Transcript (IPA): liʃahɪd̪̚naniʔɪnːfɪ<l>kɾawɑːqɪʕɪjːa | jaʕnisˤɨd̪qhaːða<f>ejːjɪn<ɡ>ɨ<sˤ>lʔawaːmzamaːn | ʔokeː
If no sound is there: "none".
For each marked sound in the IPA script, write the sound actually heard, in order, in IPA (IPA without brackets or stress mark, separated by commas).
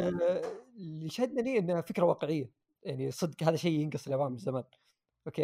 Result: none, ʃ, ɡ, sˤ